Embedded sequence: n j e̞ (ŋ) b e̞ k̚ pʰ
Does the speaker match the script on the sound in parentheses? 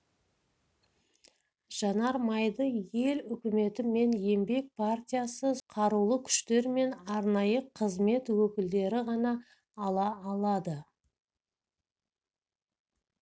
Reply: no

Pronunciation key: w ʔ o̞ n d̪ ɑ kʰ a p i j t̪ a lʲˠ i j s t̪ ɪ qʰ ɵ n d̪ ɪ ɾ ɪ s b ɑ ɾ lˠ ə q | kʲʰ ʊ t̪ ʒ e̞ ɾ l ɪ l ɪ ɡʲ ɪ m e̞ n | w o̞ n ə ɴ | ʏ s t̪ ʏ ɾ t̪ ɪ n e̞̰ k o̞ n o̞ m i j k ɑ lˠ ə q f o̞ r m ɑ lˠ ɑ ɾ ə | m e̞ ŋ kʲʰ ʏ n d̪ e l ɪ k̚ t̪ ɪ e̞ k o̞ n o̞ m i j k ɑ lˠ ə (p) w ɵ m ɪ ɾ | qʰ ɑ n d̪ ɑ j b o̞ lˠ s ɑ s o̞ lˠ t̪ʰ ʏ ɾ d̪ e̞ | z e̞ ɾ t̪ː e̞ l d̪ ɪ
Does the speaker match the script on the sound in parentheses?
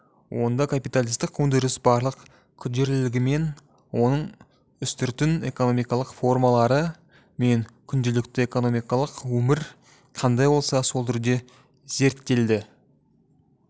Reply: no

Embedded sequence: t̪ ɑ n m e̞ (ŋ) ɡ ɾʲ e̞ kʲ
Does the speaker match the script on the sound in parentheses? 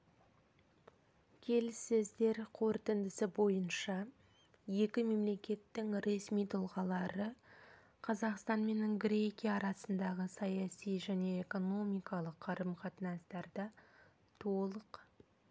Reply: no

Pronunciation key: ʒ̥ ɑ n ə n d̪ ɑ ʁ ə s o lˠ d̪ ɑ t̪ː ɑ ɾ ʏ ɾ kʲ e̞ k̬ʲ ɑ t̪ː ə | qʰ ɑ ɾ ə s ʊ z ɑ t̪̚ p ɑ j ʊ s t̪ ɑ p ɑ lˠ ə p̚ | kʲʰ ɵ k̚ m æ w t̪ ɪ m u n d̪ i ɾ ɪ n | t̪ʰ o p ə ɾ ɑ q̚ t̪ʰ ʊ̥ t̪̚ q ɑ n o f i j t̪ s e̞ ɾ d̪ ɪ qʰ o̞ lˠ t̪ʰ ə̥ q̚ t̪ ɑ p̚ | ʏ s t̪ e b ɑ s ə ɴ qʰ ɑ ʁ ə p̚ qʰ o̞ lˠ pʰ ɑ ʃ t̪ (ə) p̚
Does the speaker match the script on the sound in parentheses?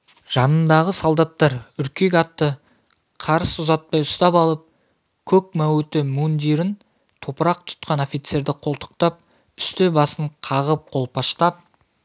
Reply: no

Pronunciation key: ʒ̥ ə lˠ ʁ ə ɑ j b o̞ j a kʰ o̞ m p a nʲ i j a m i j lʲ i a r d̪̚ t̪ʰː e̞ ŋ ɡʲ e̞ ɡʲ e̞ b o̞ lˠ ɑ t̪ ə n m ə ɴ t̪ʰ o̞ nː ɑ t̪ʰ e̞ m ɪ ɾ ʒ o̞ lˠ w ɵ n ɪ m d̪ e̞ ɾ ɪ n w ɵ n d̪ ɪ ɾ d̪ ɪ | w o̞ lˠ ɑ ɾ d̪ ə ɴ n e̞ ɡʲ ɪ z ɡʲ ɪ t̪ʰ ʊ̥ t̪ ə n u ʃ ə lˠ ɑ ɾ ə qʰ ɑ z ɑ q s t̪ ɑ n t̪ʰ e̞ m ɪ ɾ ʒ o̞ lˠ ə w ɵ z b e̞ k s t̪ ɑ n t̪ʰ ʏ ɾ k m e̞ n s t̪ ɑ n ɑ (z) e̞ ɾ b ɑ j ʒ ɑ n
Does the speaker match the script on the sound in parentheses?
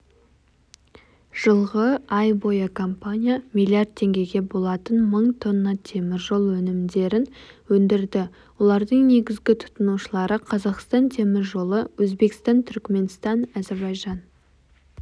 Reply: yes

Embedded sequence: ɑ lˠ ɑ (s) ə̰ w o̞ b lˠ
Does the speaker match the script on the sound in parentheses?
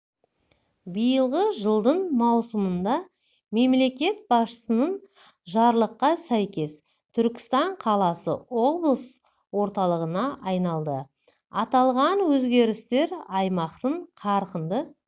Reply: yes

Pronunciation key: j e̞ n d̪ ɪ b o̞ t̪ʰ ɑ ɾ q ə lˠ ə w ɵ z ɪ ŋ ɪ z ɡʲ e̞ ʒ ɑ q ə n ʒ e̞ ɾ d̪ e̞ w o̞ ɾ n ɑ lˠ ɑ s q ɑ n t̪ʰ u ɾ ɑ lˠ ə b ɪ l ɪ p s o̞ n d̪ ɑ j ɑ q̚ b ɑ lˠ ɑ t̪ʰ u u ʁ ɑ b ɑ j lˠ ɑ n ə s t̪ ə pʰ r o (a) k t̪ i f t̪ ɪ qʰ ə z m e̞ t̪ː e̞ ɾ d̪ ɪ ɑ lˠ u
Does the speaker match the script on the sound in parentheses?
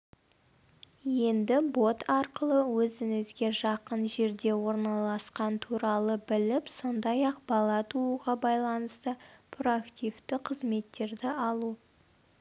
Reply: yes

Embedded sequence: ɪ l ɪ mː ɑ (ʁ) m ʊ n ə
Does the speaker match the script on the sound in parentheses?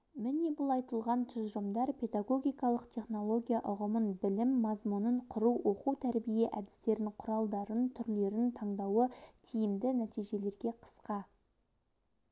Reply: no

